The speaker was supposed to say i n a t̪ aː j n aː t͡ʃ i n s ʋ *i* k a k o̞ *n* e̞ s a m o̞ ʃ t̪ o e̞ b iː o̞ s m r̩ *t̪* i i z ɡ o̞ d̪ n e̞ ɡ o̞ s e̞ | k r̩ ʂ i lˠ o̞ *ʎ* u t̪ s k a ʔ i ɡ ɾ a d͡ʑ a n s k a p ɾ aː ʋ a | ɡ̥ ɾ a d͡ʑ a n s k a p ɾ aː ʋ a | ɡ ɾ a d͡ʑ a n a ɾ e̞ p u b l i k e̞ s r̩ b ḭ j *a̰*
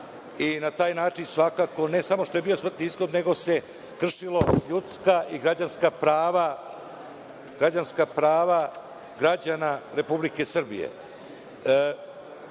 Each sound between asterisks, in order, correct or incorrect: incorrect, correct, correct, correct, incorrect

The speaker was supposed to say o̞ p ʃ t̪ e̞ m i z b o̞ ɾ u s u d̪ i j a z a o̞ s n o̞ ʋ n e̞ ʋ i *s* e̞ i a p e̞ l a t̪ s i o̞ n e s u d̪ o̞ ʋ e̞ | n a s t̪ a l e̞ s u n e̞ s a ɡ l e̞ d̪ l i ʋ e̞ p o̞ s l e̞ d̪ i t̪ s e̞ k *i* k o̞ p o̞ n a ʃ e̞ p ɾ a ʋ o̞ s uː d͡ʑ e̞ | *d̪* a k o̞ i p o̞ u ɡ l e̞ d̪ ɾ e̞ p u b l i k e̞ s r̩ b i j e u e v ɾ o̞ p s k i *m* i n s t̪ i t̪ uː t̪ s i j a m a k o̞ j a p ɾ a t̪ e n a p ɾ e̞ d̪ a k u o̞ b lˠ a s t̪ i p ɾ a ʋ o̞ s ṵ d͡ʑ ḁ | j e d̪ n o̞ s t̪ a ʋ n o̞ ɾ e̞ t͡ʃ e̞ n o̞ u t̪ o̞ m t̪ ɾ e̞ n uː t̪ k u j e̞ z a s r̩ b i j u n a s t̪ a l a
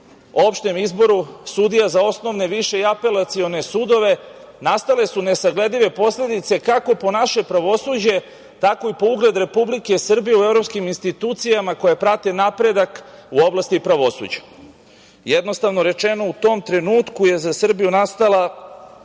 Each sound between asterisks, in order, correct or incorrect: incorrect, incorrect, incorrect, correct

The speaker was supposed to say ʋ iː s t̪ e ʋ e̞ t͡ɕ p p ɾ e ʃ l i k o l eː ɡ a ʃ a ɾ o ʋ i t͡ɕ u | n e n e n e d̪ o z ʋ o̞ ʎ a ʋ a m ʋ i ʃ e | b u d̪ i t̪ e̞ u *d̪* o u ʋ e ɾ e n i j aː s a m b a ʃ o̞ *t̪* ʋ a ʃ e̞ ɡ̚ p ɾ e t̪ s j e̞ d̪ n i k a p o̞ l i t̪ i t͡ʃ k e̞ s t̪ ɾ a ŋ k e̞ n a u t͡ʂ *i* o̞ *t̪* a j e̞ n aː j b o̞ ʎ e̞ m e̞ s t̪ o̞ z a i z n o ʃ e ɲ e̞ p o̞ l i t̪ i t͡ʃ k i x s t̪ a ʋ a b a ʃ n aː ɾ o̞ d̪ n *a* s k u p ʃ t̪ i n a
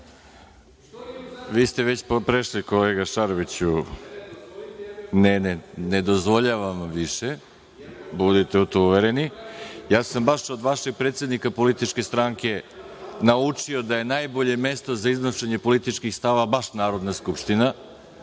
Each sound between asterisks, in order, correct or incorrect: incorrect, incorrect, correct, incorrect, correct

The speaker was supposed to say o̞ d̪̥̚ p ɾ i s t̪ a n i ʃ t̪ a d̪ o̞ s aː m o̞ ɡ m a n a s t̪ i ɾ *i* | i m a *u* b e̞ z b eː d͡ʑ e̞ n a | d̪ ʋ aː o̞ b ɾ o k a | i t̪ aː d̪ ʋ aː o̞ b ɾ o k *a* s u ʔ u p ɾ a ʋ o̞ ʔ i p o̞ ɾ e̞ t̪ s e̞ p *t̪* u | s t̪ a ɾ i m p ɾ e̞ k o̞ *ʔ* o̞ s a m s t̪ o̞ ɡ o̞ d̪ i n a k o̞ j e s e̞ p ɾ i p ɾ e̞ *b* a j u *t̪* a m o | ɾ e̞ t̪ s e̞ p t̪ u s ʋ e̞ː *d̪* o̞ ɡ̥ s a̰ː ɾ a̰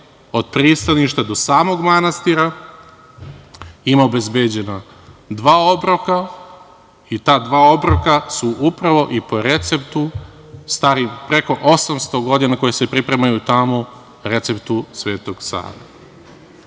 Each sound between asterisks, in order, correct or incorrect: incorrect, incorrect, correct, correct, correct, incorrect, correct, incorrect

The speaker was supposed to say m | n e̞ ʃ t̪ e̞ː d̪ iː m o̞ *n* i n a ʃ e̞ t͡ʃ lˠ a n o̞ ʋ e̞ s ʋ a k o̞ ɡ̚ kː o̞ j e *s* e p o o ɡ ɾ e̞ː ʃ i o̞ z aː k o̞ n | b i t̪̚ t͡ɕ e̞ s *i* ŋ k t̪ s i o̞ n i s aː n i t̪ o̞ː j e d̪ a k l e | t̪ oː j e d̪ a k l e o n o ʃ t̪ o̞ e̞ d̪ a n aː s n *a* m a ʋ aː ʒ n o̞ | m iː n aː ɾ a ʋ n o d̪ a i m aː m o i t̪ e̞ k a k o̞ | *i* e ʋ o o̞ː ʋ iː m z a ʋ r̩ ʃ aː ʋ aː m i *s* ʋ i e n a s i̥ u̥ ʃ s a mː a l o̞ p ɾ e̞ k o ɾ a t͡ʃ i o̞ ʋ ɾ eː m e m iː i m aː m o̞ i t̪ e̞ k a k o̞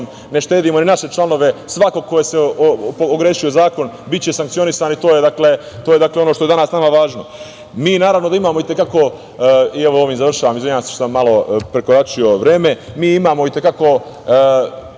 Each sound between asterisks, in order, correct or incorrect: correct, correct, incorrect, correct, correct, incorrect

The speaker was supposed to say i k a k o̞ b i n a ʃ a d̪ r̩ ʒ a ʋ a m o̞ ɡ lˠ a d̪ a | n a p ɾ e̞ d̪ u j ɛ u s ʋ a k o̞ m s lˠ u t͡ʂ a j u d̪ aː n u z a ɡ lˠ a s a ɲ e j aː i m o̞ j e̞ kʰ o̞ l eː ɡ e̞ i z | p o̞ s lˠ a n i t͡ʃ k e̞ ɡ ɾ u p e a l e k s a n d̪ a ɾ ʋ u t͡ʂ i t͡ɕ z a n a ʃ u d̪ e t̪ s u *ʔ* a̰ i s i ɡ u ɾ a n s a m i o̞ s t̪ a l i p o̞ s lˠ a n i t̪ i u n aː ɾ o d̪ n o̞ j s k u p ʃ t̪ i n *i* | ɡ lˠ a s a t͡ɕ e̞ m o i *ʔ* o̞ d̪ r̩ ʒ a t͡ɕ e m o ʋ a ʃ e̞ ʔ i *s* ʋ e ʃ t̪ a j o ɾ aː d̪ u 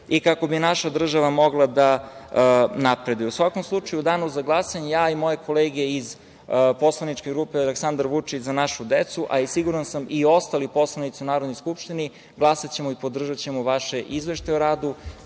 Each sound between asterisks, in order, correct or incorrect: correct, correct, incorrect, incorrect

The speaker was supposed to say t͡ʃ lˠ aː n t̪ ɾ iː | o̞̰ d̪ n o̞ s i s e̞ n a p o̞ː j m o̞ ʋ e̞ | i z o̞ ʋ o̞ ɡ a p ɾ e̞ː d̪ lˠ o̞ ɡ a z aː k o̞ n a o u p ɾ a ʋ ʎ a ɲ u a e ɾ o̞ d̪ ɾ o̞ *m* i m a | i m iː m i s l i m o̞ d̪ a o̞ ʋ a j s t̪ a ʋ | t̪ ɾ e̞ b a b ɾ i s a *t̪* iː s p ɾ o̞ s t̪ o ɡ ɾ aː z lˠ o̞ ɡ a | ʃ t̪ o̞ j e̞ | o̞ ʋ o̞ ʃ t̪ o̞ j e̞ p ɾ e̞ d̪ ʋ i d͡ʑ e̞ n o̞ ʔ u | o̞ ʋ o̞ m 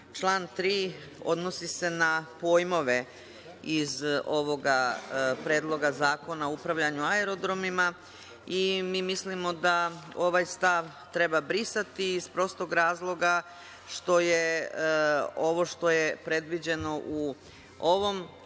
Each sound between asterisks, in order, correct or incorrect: correct, correct

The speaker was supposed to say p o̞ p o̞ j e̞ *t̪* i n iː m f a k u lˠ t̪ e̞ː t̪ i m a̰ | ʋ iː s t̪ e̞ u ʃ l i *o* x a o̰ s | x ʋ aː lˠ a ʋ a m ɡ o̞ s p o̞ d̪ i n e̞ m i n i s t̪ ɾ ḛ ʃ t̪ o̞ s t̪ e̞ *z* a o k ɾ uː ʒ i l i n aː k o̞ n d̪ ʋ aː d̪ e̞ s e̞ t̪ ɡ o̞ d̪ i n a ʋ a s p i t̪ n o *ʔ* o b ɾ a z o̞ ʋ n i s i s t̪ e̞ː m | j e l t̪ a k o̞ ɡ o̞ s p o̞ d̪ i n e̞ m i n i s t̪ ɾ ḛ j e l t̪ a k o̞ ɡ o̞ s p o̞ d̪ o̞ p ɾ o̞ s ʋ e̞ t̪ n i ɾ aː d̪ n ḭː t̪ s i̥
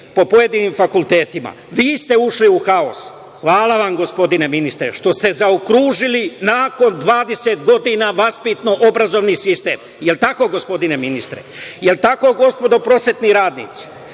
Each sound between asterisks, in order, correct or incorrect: incorrect, incorrect, correct, correct

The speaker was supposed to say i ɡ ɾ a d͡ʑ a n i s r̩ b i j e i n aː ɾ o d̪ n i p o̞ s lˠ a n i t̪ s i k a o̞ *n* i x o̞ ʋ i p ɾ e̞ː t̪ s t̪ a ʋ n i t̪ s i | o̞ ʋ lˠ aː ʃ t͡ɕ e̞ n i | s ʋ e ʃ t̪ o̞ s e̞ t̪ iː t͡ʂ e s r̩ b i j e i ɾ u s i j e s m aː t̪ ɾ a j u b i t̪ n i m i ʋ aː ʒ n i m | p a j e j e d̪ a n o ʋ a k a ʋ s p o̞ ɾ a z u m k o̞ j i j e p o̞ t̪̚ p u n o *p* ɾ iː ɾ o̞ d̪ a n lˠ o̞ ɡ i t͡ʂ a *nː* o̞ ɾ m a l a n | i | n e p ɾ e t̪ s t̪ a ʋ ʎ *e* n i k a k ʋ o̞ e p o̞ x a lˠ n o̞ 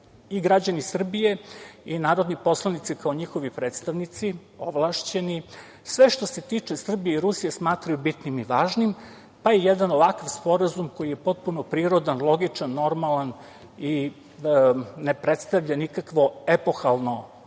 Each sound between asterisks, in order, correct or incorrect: incorrect, correct, correct, incorrect

